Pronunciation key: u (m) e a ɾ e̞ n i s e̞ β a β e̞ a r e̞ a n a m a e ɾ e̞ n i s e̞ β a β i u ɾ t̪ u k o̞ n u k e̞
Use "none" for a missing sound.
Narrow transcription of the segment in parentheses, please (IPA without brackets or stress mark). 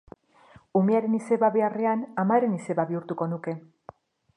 m